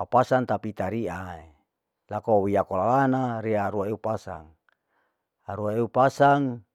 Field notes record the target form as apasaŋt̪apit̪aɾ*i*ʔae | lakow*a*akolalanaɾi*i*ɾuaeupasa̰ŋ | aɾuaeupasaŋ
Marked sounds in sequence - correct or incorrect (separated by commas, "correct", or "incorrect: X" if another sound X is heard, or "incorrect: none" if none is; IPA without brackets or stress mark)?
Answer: correct, incorrect: i, incorrect: a